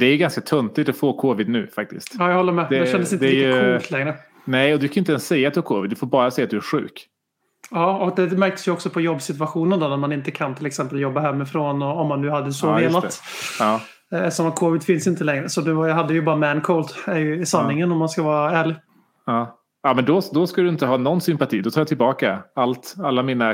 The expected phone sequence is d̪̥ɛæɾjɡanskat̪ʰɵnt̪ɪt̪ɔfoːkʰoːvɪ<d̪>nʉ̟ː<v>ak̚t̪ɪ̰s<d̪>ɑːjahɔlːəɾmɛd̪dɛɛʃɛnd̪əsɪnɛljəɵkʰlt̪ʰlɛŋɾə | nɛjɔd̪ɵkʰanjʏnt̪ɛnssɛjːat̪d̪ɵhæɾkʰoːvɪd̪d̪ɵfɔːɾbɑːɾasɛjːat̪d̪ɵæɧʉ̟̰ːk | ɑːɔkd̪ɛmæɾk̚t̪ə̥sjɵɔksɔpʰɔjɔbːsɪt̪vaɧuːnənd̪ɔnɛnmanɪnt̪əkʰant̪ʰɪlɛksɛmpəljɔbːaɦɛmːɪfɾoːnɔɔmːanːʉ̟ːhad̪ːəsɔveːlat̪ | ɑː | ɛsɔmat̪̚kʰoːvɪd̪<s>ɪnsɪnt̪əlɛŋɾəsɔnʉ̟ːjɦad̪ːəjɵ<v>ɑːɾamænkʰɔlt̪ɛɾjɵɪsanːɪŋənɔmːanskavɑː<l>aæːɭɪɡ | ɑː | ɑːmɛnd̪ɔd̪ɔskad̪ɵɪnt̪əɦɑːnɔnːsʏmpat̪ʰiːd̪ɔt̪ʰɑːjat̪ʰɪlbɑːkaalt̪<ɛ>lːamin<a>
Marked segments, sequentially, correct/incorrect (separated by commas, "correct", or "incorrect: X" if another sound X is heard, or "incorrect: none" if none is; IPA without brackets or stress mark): correct, incorrect: f, incorrect: t̪, incorrect: f, incorrect: b, incorrect: ɾ, incorrect: a, correct